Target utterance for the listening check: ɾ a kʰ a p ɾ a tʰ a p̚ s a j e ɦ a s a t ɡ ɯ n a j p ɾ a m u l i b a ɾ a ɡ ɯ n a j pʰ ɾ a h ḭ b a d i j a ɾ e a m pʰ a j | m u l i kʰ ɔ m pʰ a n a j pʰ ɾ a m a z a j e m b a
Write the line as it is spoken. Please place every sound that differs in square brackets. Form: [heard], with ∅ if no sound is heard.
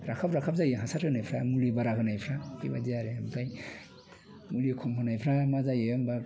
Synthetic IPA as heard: ɾ a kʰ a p ɾ a [kʰ] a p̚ [z] a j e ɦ a s a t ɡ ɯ n a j [pʰ] ɾ a m u l i b a ɾ a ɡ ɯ n a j pʰ ɾ a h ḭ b a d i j a ɾ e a m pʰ a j | m u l i kʰ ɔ m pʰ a n a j pʰ ɾ a m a z a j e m b a